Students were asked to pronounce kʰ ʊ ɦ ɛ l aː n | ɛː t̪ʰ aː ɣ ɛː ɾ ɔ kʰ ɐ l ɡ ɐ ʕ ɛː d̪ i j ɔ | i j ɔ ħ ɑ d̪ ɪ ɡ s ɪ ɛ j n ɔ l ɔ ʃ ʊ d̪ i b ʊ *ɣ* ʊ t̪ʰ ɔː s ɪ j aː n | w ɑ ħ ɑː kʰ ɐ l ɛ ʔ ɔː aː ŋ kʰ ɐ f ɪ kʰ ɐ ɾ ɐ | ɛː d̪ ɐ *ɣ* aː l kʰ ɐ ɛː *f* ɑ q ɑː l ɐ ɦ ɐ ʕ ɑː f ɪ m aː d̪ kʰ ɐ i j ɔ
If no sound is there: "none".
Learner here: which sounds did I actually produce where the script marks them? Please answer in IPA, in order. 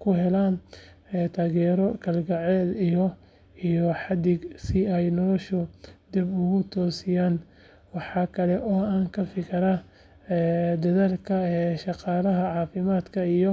ɣ, ð, ʃ

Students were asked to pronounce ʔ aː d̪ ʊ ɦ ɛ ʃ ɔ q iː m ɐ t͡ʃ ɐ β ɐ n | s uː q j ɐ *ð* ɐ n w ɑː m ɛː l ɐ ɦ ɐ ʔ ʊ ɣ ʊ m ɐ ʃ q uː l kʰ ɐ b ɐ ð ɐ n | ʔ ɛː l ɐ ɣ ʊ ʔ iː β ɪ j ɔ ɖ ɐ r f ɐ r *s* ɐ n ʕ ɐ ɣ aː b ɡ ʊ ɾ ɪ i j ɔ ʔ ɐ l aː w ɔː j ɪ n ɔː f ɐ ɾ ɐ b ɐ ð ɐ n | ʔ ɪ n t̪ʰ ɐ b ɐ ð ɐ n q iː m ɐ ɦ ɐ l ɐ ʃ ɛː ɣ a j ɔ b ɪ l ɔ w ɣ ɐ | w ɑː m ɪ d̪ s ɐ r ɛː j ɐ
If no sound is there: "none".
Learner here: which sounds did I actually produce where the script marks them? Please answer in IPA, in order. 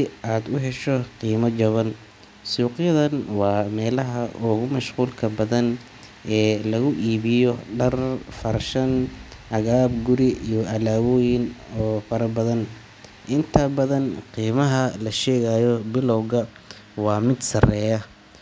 ð, ʃ

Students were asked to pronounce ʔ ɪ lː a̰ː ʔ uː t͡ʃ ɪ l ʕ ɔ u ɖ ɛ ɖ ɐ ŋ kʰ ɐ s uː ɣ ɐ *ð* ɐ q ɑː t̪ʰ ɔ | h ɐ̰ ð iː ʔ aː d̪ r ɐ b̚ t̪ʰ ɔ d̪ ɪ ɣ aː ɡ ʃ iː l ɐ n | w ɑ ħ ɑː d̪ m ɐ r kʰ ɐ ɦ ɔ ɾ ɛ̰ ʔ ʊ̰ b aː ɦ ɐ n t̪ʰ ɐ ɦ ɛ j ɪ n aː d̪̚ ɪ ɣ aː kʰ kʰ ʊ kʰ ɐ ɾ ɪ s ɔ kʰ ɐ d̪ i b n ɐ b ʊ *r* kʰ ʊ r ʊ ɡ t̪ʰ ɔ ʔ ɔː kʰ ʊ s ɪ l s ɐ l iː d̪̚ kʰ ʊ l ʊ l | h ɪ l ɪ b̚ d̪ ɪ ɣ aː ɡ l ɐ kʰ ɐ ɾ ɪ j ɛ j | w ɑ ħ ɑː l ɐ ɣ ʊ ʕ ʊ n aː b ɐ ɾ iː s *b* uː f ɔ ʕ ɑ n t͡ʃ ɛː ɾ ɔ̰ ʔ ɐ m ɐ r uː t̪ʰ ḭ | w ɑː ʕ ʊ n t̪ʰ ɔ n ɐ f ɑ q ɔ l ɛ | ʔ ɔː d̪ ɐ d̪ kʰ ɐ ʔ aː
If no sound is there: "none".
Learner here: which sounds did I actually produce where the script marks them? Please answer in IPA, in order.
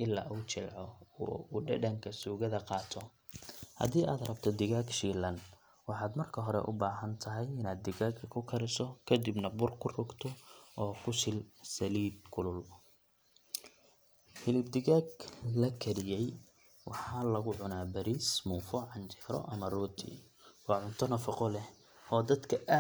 ð, r, m

